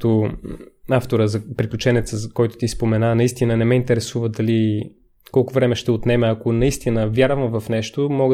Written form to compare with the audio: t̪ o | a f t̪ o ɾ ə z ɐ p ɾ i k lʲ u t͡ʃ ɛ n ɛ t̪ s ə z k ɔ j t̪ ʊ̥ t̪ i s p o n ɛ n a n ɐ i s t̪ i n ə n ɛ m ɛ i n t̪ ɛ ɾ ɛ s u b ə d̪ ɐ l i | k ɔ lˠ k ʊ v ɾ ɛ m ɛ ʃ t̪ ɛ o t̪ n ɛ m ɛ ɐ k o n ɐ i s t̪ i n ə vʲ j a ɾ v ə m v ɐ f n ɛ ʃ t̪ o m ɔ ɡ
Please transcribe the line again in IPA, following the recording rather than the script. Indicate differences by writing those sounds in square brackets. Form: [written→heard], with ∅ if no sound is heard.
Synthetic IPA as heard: t̪ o | a f t̪ o ɾ ə z ɐ p ɾ i k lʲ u t͡ʃ ɛ n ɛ t̪ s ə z k ɔ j t̪ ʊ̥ t̪ i s p o [n→m] ɛ n a n ɐ i s t̪ i n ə n ɛ m ɛ i n t̪ ɛ ɾ ɛ s u [b→v] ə d̪ ɐ l i | k ɔ lˠ k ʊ v ɾ ɛ m ɛ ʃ t̪ ɛ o t̪ n ɛ m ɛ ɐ k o n ɐ i s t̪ i n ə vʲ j a ɾ v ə m v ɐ f n ɛ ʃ t̪ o m ɔ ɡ